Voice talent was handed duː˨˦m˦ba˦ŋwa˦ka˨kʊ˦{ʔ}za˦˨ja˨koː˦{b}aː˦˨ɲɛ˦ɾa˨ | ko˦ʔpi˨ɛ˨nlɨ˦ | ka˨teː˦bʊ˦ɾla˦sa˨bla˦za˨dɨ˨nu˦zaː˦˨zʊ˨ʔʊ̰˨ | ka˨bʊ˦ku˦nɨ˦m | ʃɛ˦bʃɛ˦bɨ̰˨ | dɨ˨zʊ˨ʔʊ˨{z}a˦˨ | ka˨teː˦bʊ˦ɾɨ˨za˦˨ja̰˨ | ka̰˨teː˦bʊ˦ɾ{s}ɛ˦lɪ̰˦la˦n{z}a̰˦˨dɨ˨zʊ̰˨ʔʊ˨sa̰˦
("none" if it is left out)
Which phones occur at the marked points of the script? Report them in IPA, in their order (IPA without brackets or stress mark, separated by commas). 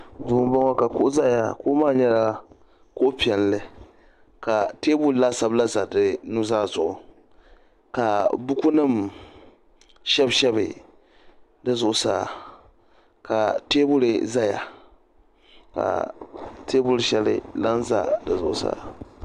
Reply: ʔ, m, s, ʃ, z